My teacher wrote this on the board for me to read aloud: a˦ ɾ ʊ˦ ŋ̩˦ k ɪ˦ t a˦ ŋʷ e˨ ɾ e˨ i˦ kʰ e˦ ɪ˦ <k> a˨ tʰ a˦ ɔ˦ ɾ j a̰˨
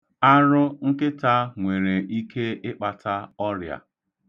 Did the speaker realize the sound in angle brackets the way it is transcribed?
no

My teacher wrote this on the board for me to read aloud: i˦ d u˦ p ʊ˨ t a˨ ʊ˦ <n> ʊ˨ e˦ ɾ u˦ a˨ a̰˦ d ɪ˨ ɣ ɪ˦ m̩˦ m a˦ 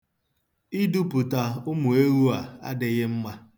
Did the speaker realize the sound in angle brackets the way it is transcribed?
no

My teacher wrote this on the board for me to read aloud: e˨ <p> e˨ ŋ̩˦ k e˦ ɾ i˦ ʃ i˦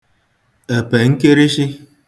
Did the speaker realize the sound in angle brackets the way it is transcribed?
yes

